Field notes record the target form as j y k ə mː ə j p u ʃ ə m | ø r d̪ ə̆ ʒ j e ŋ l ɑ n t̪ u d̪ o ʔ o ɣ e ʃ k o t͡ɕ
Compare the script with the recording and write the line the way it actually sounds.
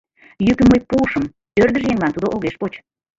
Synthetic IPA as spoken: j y k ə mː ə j p u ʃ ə m | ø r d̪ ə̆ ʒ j e ŋ l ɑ n t̪ u d̪ o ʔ o ɣ e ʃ p o t͡ɕ